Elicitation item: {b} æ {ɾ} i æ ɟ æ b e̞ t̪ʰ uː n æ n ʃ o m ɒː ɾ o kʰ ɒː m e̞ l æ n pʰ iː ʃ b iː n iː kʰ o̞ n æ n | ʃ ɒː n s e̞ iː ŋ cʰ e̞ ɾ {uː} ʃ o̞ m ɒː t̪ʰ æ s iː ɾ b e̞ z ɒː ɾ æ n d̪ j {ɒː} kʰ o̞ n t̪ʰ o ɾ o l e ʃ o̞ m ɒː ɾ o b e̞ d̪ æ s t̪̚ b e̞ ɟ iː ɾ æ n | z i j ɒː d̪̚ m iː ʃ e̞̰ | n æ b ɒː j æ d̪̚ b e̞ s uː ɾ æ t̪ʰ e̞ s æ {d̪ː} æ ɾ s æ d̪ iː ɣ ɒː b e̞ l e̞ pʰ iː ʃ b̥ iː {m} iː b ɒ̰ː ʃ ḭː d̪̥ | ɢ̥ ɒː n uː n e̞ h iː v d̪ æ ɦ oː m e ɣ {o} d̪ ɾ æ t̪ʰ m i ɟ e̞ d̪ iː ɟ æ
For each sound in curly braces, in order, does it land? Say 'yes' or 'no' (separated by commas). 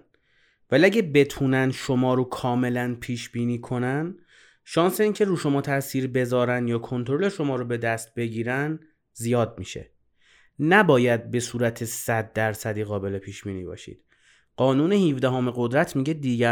no, no, yes, yes, yes, no, yes